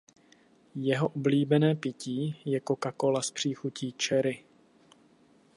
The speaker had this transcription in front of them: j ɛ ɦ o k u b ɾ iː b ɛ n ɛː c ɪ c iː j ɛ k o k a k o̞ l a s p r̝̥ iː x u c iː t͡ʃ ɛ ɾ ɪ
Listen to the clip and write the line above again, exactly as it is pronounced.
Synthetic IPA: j ɛ ɦ o ʔ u b l iː b ɛ n ɛː p ɪ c iː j ɛ k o k a k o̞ l a s p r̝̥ iː x u c iː t͡ʃ ɛ ɾ ɪ